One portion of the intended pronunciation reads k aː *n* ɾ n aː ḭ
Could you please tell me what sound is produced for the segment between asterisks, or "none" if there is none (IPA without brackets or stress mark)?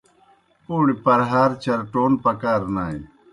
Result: none